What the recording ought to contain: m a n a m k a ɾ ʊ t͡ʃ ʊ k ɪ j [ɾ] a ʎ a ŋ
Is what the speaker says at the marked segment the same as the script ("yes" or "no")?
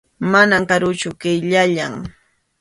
no